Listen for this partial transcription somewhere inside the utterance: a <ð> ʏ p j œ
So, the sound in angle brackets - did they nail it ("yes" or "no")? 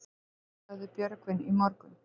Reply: yes